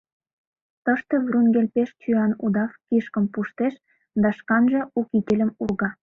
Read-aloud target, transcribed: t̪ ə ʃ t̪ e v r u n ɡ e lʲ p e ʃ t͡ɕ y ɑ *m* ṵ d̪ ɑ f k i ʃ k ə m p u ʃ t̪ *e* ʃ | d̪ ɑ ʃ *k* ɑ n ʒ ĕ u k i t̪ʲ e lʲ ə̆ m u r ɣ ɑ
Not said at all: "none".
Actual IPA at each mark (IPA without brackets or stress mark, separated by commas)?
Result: n, e, k